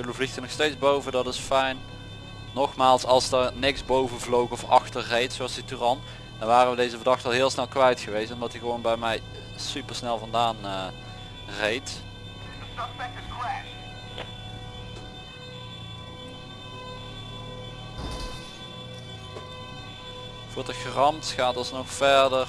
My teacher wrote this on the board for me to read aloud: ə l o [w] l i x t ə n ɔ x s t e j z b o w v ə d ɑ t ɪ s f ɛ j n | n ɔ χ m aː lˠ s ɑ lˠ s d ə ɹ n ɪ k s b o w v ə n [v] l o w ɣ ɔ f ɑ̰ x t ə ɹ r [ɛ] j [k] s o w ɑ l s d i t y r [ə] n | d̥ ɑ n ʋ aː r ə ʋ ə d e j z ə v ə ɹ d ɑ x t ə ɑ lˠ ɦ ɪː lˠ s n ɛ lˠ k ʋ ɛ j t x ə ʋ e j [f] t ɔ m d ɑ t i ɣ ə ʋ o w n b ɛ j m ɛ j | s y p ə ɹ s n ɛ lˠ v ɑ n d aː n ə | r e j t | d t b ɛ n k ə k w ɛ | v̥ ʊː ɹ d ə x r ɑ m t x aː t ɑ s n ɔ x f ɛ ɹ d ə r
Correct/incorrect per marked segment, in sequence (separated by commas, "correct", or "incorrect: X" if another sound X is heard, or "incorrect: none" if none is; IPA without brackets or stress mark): incorrect: v, correct, incorrect: e, incorrect: t, incorrect: ɑ, incorrect: s